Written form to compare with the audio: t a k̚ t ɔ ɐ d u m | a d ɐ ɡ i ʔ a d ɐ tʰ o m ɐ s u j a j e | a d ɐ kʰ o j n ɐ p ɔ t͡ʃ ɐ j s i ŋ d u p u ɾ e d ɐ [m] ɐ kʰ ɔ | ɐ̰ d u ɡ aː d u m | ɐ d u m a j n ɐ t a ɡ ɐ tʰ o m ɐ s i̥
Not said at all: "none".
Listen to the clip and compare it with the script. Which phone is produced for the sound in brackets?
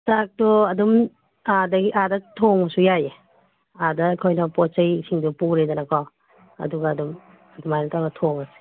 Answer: n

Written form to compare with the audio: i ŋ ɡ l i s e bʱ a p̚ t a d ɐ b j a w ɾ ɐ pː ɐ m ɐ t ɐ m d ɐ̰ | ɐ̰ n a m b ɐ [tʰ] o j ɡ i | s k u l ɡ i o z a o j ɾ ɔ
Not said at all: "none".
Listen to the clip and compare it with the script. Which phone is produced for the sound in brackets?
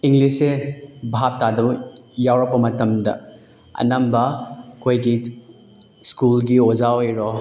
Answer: kʰ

